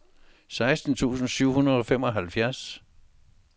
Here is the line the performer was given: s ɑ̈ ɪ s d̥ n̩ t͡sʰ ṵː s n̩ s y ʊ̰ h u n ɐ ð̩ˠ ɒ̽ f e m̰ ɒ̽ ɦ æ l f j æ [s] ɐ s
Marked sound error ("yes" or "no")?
yes